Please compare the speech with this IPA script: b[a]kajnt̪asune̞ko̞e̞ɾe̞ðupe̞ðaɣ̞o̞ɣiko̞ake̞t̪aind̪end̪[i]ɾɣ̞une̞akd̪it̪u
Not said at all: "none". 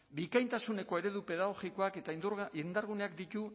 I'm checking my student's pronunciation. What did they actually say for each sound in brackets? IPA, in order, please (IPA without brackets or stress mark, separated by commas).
i, a